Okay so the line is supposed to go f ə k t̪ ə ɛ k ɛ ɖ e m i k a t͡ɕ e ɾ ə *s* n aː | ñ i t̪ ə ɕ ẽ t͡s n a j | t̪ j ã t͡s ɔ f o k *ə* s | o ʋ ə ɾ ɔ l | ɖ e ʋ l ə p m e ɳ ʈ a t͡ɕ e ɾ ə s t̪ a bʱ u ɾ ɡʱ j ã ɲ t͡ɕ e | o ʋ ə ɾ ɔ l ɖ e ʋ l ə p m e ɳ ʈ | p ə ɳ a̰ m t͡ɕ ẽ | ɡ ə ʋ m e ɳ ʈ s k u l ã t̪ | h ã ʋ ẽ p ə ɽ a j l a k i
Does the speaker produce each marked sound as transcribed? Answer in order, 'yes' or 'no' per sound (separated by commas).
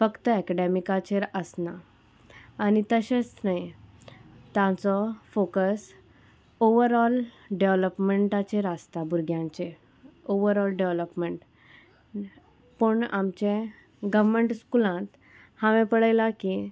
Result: yes, yes